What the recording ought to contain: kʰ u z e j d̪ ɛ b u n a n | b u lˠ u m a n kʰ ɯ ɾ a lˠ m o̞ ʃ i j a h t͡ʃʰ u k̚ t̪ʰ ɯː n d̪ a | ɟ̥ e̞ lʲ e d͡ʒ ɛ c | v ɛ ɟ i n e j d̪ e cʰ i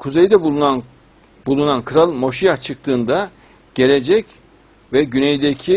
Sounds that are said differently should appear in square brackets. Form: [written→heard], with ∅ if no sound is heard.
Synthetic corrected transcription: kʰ u z e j d̪ ɛ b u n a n | b u lˠ u [m→n] a n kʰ ɯ ɾ a lˠ m o̞ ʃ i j a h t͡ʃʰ [u→ɯ] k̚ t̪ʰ ɯː n d̪ a | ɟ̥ e̞ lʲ e d͡ʒ ɛ c | v ɛ ɟ [i→y] n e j d̪ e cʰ i